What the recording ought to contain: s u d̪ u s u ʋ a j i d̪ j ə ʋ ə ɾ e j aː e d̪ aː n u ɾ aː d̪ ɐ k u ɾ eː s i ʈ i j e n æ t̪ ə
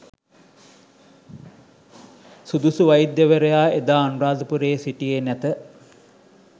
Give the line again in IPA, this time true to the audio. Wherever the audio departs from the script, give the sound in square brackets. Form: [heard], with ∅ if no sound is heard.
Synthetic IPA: s u d̪ u s u ʋ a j i d̪ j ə ʋ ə ɾ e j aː e d̪ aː n u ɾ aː d̪ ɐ [p] u ɾ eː s i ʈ i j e n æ t̪ ə